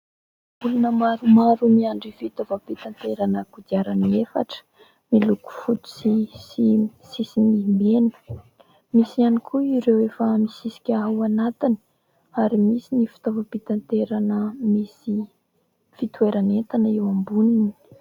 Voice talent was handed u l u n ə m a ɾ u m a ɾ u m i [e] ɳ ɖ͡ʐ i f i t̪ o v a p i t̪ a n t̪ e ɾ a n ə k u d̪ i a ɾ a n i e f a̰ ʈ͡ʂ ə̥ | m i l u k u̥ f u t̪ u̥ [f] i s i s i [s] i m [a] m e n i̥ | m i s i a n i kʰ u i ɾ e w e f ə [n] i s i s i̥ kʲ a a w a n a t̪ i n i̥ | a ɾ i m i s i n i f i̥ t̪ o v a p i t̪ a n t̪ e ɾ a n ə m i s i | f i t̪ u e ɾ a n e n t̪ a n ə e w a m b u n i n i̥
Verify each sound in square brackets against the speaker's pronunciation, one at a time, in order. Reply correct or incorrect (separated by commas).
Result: incorrect, incorrect, correct, incorrect, incorrect